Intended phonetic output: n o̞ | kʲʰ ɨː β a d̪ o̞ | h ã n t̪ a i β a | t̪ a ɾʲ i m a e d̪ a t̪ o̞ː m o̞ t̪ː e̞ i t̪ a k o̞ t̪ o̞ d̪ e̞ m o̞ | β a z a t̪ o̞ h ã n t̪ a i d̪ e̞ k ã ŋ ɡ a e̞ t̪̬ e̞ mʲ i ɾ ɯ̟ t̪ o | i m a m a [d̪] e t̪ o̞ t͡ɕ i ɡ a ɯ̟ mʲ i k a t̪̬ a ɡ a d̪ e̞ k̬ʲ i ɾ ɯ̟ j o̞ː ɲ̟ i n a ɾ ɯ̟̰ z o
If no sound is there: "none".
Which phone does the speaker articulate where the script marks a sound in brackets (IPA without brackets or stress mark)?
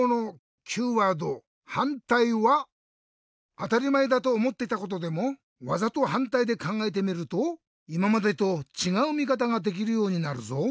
d̪